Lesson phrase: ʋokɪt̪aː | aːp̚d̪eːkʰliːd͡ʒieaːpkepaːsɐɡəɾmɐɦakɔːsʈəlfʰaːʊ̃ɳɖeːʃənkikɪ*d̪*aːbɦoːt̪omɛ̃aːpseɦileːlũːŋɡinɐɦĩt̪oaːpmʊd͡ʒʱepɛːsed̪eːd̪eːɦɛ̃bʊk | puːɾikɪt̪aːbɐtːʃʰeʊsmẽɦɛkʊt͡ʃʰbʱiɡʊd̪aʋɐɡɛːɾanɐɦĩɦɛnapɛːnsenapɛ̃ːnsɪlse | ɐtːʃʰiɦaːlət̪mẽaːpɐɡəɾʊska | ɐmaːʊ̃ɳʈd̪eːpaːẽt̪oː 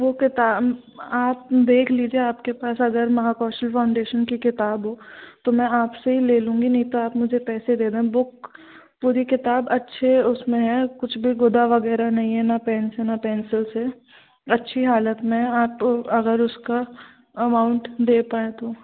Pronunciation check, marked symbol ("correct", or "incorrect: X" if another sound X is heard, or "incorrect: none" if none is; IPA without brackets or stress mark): incorrect: t̪